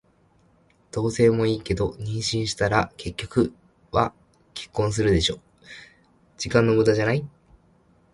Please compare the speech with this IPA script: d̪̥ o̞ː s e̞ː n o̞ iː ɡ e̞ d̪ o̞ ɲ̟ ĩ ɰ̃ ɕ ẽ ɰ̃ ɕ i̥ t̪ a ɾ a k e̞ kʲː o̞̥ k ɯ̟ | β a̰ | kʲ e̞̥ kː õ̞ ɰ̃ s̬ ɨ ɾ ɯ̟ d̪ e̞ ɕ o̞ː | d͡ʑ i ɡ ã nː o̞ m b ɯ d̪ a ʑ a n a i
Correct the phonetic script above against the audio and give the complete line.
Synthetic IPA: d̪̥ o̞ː s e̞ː m o̞ iː k e̞ d̪ o̞ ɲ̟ ĩ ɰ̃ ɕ ĩ ɰ̃ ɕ i̥ t̪ a ɾ a k e̞ kʲː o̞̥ k ɯ̟ | β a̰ | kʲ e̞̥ kː õ̞ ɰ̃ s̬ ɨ ɾ ɯ̟ d̪ e̞ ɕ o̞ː | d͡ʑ i k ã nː o̞ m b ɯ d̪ a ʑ a n a i